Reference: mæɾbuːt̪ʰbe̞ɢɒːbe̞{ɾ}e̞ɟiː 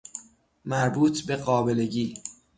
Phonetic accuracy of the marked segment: incorrect: l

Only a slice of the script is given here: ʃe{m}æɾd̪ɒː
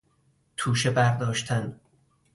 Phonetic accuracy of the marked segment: incorrect: b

